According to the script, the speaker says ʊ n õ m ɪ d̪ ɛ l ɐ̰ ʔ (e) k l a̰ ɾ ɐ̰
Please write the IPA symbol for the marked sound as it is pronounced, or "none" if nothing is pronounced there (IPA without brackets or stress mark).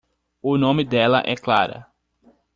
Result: ɛ